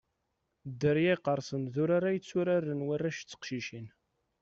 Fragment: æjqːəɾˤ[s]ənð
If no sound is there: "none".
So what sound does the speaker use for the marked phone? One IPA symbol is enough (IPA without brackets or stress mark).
s